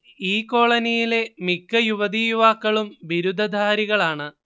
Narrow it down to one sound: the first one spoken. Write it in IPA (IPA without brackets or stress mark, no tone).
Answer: iː